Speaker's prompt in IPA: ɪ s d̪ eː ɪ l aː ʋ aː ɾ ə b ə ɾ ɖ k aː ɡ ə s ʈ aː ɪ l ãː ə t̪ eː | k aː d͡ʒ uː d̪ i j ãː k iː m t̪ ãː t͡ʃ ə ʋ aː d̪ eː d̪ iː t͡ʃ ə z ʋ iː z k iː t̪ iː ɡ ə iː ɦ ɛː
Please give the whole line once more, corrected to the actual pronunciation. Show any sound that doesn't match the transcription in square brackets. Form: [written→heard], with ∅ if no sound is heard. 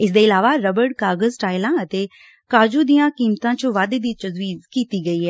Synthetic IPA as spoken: ɪ s d̪ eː ɪ l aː ʋ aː ɾ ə b ə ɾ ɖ k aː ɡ ə [s→z] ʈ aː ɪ l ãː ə t̪ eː | k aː d͡ʒ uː d̪ i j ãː k iː m t̪ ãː t͡ʃ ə ʋ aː d̪ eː d̪ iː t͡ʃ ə z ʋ iː z k iː t̪ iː ɡ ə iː ɦ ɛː